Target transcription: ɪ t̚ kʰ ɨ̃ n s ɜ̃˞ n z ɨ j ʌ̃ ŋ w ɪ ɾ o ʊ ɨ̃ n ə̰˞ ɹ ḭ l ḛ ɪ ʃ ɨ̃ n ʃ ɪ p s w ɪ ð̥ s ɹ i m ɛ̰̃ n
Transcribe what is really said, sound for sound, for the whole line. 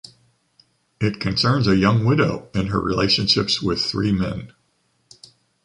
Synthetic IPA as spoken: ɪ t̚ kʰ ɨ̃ n s ɜ̃˞ n z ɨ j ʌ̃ ŋ w ɪ ɾ o ʊ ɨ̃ n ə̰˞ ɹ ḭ l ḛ ɪ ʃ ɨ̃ n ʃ ɪ p s w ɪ ð̥ θ ɹ i m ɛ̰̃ n

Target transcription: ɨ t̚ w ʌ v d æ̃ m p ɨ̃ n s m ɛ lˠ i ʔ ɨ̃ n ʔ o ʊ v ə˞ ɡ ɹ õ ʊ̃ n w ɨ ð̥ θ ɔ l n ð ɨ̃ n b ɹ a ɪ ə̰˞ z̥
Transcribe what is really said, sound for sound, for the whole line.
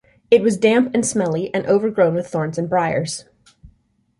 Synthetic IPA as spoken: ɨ t̚ w ʌ z d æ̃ m p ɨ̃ n s m ɛ lˠ i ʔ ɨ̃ n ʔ o ʊ v ə˞ ɡ ɹ õ ʊ̃ n w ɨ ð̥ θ ɔ ɹ n z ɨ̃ n b ɹ a ɪ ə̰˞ z̥

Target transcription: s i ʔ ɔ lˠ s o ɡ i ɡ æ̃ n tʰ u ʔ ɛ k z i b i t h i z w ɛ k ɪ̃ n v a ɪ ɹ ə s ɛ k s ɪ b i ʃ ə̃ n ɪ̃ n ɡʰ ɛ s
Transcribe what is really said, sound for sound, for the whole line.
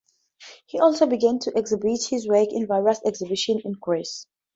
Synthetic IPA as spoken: h i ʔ ɔ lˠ s o b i ɡ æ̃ n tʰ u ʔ ɛ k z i b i t h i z w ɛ k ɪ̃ n v a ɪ ɹ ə s ɛ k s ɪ b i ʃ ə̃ n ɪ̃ n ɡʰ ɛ s

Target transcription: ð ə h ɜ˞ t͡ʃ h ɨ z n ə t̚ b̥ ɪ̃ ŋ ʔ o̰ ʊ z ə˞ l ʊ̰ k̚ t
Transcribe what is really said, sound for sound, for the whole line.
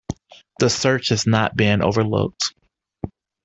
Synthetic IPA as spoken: ð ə s ɜ˞ t͡ʃ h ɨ z n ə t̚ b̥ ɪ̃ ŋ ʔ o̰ ʊ v ə˞ l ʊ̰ k̚ t

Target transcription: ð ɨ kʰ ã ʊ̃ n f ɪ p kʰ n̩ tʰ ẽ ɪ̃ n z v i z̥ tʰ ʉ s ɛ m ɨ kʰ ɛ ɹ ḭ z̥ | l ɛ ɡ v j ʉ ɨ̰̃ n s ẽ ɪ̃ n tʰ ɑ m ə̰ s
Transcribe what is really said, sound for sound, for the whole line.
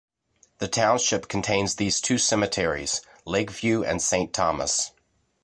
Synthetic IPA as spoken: ð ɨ tʰ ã ʊ̃ n ʃ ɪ p kʰ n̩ tʰ ẽ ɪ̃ n z ð i z̥ tʰ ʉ s ɛ m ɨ tʰ ɛ ɹ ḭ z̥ | l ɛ ɡ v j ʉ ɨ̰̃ n s ẽ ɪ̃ n tʰ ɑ m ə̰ s

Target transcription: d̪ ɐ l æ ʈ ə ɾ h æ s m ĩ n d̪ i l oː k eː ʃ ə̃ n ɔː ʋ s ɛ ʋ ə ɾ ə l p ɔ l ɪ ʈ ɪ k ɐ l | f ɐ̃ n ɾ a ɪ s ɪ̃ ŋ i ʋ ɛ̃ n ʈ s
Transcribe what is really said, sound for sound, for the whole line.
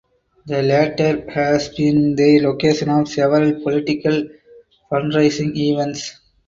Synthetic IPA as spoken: d̪ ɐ l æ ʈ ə ɾ h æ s b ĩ n d̪ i l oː k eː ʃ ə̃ n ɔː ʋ s ɛ ʋ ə ɾ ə l p ɔ l ɪ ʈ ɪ k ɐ l | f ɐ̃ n ɾ a ɪ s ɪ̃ ŋ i ʋ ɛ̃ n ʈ s

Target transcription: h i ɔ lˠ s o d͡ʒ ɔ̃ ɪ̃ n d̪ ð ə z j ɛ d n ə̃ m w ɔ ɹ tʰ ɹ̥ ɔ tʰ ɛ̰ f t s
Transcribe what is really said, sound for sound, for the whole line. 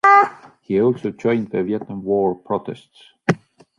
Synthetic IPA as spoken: h i ɔ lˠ s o d͡ʒ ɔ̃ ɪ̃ n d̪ ð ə v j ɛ t n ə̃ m w ɔ ɹ pʰ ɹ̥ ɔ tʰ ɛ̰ s t s

